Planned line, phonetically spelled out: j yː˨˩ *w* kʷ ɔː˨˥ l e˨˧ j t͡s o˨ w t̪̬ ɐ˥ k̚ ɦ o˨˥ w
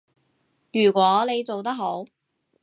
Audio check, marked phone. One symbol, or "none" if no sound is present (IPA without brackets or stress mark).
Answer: none